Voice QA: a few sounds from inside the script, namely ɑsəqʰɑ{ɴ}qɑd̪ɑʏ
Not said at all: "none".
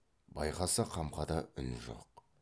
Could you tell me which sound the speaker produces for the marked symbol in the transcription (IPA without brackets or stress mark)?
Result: m